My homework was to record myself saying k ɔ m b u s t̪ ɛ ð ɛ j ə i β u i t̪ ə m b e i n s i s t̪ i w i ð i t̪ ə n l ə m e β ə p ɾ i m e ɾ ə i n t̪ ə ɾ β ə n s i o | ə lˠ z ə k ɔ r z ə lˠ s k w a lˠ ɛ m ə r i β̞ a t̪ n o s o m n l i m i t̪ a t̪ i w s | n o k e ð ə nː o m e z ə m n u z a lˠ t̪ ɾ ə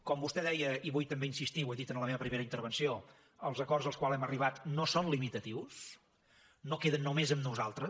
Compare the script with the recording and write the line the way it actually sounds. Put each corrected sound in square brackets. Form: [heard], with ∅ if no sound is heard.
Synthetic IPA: k ɔ m b u s t̪ ɛ ð ɛ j ə i β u [j] t̪ ə m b e i n s i s t̪ i w [e] ð i t̪ ə n l ə m e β ə p ɾ i m e ɾ ə i n t̪ ə ɾ β ə n s i o | ə lˠ z ə k ɔ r z ə lˠ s k w a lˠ ɛ m ə r i β̞ a t̪ n o s o [∅] n l i m i t̪ [ə] t̪ i w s | n o k e ð ə nː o m e z ə m n u z a lˠ t̪ ɾ ə